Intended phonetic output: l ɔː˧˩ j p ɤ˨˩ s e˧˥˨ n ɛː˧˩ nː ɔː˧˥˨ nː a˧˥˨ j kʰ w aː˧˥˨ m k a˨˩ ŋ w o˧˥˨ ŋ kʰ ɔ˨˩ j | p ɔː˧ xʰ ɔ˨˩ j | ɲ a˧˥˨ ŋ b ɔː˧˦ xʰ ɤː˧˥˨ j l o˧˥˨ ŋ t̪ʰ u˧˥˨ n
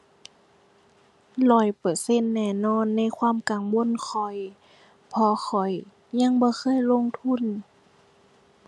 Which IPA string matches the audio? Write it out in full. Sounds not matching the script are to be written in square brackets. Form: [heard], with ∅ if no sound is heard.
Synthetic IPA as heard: l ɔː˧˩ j p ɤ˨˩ s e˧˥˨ [nː] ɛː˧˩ [n] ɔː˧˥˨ nː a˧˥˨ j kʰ w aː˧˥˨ m k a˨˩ ŋ w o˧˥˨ [n] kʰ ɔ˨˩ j | [pʰ] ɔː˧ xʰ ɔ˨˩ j | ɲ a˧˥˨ ŋ b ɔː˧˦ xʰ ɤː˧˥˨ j l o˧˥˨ ŋ t̪ʰ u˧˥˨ n